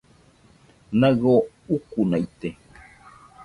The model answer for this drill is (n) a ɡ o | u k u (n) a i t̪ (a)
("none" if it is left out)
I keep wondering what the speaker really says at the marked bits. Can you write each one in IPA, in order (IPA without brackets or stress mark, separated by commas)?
n, n, e